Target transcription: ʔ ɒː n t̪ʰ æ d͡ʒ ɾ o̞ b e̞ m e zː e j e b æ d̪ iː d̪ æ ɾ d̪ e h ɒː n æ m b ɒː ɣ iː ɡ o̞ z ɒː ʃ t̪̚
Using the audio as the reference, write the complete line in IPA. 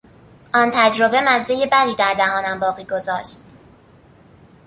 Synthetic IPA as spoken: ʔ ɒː n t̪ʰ æ d͡ʒ ɾ o̞ b e̞ m æ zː e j e b æ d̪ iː d̪ æ ɾ d̪ æ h ɒː n æ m b ɒː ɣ iː ɡ o̞ z ɒː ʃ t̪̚